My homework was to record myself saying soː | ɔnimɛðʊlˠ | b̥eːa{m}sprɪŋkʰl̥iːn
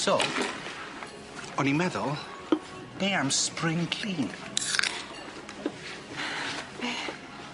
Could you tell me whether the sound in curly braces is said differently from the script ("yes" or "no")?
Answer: no